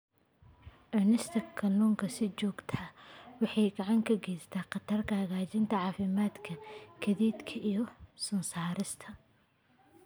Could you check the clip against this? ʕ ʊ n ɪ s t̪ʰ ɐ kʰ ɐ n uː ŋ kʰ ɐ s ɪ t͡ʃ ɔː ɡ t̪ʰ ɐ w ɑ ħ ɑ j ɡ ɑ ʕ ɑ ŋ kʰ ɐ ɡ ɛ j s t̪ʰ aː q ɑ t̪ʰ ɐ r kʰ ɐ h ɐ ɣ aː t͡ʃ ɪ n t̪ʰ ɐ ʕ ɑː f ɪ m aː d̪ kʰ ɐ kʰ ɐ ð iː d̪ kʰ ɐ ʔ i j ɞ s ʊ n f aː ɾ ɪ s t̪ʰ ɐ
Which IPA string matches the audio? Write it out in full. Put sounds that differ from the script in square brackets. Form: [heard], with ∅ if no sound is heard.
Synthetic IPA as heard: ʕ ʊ n ɪ s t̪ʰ ɐ kʰ ɐ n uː ŋ kʰ ɐ s ɪ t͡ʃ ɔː ɡ t̪ʰ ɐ w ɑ ħ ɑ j ɡ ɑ ʕ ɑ ŋ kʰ ɐ ɡ ɛ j s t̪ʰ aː q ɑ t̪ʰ ɐ r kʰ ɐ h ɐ ɣ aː t͡ʃ ɪ n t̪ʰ ɐ ʕ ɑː f ɪ m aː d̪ kʰ ɐ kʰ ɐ ð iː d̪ kʰ ɐ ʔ i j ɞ s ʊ n [s] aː ɾ ɪ s t̪ʰ ɐ